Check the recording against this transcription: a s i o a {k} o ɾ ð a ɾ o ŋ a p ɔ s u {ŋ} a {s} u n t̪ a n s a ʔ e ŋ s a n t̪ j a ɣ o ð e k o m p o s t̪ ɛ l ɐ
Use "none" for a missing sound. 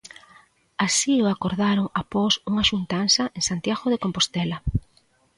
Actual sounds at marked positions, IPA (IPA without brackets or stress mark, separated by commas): k, ŋ, ʃ